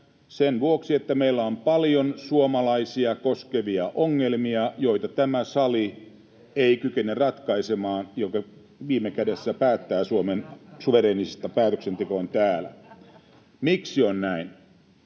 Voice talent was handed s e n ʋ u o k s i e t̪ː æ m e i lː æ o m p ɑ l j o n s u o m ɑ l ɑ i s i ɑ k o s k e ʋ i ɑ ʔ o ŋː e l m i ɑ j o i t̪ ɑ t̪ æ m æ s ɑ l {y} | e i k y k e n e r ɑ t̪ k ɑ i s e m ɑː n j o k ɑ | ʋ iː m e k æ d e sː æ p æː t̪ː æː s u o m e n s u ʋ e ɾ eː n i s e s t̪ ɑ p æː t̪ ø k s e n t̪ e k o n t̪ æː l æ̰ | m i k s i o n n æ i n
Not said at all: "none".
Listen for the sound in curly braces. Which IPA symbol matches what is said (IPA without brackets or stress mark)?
i